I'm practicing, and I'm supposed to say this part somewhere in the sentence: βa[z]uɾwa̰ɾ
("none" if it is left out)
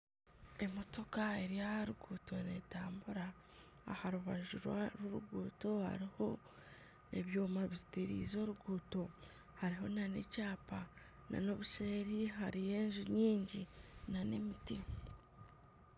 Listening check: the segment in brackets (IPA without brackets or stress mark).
ʒ